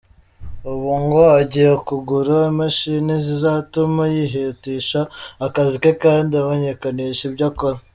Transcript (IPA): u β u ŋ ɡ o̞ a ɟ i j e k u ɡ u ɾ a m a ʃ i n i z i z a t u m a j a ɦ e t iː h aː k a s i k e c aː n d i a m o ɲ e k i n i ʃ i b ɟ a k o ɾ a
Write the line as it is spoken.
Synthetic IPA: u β u ŋ ɡ o̞ a ɟ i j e k u ɡ u ɾ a m a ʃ i n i z i z a t u m a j i ɦ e t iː ʃ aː k a z i k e k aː n d i a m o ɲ e k a n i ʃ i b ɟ a k o ɾ a